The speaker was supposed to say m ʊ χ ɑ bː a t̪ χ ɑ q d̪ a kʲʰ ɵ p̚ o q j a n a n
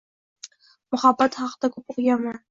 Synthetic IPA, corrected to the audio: m ʊ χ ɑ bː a t̪ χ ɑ q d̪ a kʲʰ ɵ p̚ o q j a m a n